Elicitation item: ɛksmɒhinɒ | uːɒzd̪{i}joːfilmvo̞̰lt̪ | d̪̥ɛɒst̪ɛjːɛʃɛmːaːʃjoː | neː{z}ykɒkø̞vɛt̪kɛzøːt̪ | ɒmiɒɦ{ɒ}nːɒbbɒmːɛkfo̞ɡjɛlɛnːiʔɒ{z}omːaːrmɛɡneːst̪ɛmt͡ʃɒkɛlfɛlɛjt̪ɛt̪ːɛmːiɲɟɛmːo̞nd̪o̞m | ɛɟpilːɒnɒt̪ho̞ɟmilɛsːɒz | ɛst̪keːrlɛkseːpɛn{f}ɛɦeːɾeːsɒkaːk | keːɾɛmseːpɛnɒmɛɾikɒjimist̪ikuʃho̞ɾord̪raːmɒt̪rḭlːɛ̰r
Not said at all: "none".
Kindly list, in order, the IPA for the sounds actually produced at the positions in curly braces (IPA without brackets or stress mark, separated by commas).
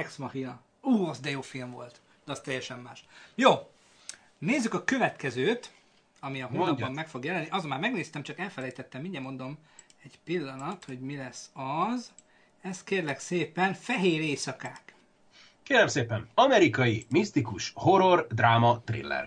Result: ɛ, zː, o, z, f